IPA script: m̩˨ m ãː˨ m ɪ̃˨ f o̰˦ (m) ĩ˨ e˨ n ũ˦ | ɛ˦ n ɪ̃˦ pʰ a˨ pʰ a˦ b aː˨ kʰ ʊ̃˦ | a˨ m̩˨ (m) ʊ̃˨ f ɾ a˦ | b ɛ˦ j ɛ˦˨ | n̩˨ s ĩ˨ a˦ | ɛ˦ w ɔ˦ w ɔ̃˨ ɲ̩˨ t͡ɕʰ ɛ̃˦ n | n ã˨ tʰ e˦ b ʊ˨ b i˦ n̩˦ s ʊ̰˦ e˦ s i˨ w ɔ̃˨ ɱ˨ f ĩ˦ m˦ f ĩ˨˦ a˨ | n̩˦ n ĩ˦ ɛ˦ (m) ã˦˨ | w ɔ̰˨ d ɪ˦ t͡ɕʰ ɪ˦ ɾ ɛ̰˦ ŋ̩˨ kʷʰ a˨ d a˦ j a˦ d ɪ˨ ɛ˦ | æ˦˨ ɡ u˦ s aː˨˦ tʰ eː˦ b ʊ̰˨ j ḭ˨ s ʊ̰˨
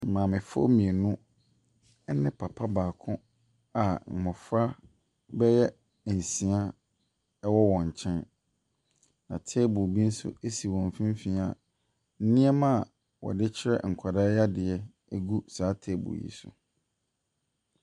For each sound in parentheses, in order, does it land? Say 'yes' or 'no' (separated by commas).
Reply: yes, yes, yes